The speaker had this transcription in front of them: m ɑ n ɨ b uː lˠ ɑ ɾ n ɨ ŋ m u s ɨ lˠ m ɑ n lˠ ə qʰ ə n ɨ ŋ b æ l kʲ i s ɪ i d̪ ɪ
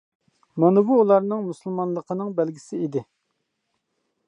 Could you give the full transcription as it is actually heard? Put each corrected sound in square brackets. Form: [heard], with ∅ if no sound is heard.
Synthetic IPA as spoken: m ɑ n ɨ b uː lˠ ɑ ɾ n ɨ ŋ m u s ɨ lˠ m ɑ n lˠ ə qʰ ə n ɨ ŋ b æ l [ɡʲ] i s ɪ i d̪ ɪ